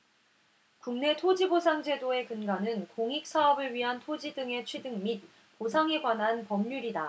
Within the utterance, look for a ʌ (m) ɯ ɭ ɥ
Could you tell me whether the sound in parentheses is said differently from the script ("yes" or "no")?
yes